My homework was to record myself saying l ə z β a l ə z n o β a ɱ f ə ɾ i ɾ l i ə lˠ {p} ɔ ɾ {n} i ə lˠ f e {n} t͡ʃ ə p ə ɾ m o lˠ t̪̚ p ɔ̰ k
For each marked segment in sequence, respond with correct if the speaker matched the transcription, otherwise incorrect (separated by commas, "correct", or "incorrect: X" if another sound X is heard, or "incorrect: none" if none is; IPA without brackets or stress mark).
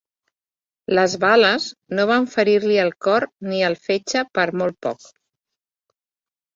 incorrect: k, correct, incorrect: none